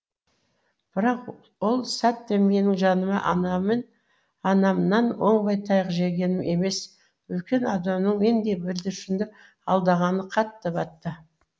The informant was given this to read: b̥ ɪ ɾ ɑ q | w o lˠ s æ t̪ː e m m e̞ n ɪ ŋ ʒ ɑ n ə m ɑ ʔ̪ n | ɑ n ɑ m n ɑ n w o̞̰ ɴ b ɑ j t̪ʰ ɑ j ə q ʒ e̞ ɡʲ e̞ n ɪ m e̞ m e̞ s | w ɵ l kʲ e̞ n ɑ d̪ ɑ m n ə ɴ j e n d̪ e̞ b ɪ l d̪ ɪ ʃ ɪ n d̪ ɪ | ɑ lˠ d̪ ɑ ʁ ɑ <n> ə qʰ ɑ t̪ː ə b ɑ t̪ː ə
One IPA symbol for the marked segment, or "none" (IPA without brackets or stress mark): n